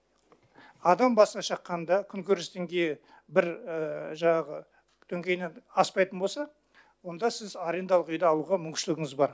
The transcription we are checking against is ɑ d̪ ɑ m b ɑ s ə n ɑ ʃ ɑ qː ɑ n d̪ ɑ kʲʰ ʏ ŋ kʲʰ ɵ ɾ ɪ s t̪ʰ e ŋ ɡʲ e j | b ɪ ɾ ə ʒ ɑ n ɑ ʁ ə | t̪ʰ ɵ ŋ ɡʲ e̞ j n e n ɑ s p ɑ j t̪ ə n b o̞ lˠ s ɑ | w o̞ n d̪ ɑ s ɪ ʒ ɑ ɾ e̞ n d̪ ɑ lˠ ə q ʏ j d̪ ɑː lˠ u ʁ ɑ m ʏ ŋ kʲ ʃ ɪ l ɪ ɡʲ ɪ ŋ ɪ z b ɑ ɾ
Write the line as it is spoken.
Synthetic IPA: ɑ d̪ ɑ m b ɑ s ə n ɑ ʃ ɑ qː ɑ n d̪ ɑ kʲʰ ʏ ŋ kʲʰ ɵ ɾ ɪ s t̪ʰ e ŋ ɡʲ e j | b ɪ ɾ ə ʒ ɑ ɴ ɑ ʁ ə | t̪ʰ ɵ ŋ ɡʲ e̞ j n e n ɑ s p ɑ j t̪ ə n b o̞ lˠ s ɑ | w o̞ n d̪ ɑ s ɪ z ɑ ɾ e̞ n d̪ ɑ lˠ ə q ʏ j d̪ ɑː lˠ u ʁ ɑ m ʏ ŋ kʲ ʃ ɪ l ɪ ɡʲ ɪ ŋ ɪ z b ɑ ɾ